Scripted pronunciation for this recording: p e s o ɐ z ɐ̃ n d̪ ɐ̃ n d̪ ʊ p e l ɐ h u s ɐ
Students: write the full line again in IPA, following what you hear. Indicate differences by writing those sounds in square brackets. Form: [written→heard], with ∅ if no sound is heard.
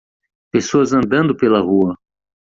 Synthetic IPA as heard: p e s o ɐ z ɐ̃ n d̪ ɐ̃ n d̪ ʊ p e l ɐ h u [s→∅] ɐ